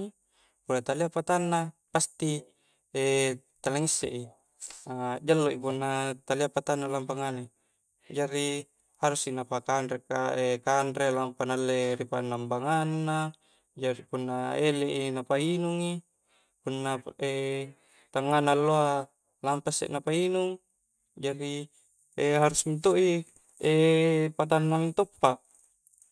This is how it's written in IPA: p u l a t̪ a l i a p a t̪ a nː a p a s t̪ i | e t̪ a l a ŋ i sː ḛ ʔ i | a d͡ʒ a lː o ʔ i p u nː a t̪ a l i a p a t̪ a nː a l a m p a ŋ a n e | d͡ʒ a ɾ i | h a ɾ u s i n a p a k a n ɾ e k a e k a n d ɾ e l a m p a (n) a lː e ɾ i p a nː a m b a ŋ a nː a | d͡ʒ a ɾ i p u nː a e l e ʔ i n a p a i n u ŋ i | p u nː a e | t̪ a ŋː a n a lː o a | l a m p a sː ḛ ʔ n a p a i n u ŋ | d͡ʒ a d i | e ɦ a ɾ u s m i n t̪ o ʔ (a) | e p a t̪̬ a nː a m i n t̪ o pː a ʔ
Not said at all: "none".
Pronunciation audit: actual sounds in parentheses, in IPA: n, i

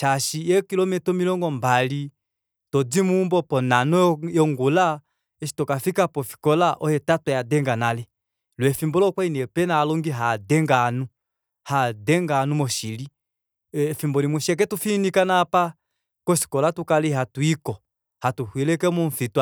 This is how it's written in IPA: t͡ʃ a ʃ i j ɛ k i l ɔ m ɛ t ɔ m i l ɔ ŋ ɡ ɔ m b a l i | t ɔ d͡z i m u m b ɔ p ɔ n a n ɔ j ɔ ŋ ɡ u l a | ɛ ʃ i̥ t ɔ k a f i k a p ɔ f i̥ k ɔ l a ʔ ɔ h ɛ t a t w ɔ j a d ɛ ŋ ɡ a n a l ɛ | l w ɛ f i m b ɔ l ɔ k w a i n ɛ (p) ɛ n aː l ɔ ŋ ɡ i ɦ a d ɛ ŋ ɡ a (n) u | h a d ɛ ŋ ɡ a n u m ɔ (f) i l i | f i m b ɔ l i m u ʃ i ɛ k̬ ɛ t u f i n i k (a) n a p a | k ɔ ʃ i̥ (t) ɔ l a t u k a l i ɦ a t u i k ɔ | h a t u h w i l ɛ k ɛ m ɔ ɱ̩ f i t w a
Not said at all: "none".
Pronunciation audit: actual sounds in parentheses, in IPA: p, n, ʃ, a, k

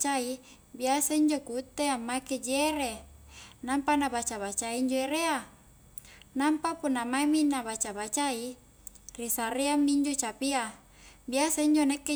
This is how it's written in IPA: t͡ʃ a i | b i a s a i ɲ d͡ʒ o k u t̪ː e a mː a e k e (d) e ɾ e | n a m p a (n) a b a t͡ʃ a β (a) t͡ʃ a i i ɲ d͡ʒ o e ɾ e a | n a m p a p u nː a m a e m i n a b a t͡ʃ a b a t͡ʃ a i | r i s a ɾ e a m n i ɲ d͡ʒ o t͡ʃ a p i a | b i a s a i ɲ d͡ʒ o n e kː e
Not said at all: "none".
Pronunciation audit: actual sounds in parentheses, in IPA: d͡ʒ, n, a

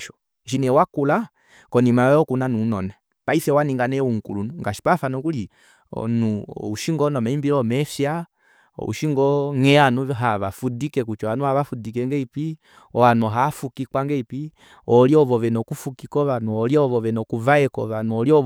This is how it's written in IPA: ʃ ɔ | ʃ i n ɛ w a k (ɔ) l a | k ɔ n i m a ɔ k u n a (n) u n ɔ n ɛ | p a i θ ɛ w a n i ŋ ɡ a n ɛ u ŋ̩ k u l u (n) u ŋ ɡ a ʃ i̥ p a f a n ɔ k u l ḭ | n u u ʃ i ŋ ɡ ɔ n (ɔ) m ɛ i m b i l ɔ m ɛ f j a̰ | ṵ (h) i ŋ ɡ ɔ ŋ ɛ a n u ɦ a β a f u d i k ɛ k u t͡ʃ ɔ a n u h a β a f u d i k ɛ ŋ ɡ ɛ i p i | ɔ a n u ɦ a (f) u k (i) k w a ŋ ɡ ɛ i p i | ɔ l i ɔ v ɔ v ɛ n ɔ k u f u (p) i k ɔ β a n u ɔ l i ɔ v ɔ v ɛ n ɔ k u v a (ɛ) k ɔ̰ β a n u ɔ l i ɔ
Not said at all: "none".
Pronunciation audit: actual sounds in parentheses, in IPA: u, n, n, ɔ, ʃ, f, i, k, ɛ

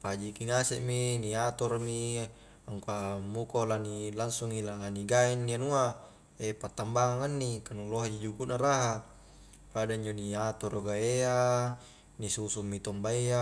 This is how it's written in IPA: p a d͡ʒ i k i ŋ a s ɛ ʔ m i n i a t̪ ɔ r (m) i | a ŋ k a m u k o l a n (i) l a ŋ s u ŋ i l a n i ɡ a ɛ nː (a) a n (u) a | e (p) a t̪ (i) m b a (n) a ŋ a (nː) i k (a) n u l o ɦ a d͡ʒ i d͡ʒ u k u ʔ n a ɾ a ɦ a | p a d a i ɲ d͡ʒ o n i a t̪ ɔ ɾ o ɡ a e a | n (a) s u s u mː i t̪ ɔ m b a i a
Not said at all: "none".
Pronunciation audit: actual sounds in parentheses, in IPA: m, i, i, u, p, a, ŋ, nː, a, i

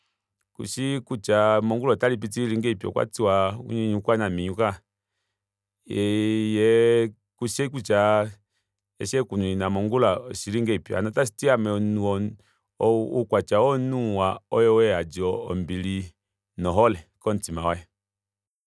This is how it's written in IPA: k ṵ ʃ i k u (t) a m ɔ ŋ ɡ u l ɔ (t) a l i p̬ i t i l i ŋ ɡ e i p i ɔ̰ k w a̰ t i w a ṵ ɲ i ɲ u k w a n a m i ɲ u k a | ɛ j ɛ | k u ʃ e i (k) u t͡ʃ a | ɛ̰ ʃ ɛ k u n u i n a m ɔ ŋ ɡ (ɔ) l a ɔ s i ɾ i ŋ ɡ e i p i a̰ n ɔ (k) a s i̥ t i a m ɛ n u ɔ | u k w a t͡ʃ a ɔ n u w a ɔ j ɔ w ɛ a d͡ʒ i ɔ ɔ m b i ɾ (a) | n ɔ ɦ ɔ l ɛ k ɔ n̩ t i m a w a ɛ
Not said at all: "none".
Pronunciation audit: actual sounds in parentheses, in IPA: t͡ʃ, t, k, u, t, i

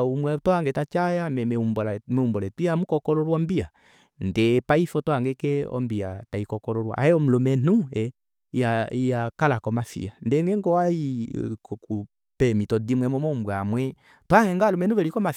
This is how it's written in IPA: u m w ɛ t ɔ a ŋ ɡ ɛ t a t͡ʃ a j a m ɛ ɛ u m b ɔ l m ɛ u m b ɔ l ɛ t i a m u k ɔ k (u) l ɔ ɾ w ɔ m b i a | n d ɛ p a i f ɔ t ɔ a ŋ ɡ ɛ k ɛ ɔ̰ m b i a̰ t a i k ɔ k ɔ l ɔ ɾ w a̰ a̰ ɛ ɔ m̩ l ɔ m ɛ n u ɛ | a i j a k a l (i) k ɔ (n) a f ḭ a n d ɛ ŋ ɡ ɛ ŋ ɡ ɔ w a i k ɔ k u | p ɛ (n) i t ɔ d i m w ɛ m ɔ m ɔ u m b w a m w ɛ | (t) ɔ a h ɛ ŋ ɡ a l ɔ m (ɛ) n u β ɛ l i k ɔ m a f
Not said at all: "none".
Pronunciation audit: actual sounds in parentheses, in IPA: ɔ, a, m, m, t, ɛ

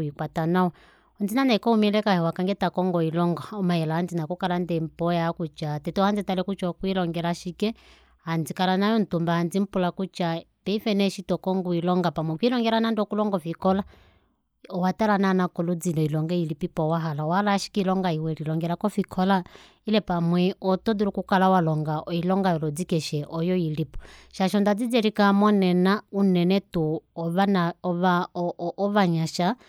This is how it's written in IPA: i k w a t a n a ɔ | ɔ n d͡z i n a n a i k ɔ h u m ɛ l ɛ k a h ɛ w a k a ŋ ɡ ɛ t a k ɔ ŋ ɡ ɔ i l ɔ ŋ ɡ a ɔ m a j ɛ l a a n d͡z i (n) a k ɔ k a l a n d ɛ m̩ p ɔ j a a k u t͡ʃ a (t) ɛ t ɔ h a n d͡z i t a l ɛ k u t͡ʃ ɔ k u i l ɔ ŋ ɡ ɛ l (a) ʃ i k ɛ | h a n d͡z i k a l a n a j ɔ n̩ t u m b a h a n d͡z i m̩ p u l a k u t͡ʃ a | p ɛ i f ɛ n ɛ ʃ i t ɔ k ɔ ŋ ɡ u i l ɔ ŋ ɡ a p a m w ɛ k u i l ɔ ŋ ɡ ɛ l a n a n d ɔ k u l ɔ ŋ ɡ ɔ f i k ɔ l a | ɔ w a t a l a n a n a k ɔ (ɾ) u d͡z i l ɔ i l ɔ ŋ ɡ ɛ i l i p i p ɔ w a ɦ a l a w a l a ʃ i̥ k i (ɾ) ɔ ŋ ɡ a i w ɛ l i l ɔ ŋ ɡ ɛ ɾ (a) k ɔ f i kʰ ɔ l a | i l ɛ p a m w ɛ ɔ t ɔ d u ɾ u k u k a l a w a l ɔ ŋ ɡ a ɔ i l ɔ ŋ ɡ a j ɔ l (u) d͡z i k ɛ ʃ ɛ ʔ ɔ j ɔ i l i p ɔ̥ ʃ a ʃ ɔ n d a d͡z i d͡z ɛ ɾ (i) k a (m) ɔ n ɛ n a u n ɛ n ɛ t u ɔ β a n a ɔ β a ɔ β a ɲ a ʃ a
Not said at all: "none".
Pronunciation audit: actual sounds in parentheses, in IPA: n, t, a, l, l, a, ɔ, i, m

